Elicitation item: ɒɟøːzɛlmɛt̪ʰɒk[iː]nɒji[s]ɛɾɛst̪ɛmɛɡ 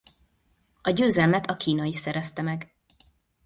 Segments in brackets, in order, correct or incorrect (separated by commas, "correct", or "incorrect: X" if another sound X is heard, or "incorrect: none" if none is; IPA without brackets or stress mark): correct, correct